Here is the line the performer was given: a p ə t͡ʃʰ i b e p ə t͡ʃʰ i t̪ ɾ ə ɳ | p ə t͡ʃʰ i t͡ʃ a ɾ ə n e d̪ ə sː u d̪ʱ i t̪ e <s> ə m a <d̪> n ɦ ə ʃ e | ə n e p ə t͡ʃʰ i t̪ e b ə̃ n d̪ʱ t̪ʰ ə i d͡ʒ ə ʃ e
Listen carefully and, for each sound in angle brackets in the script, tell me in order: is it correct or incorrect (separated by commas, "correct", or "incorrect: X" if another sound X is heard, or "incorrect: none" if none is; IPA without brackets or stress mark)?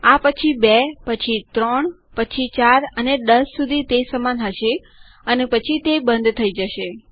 correct, incorrect: none